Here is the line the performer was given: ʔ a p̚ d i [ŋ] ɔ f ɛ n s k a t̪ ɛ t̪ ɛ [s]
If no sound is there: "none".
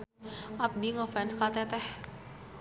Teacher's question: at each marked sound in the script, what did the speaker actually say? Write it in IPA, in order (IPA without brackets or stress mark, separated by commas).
ŋ, h